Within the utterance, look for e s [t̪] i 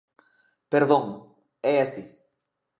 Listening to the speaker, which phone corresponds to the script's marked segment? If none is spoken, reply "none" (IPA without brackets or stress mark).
t̪